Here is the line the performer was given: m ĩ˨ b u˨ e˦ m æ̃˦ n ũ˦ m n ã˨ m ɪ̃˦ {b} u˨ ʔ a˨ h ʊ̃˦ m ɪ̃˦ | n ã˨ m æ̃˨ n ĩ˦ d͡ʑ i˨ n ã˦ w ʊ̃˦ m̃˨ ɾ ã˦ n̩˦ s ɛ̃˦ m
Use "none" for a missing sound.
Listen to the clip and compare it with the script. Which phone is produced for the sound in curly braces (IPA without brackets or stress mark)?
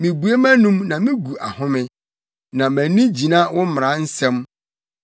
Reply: ɡ